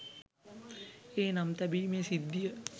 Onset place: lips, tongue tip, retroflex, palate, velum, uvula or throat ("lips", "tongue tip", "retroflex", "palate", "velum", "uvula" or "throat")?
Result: tongue tip